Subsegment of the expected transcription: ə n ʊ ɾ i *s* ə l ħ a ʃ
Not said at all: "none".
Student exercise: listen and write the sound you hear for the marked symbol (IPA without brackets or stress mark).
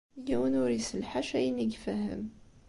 s